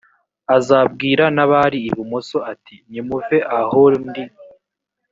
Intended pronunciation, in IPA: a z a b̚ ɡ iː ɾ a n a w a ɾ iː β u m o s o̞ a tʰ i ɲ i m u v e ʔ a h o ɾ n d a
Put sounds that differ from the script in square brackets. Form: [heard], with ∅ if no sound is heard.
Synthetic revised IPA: a z a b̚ ɡ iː ɾ a n a [β] a ɾ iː β u m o s o̞ a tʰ i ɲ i m u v e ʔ a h o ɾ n d [i]